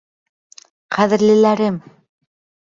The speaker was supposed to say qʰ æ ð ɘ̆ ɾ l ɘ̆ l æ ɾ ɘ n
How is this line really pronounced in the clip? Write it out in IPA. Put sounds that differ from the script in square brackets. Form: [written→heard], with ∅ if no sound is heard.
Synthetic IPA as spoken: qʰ æ ð ɘ̆ ɾ l ɘ̆ l æ ɾ ɘ [n→m]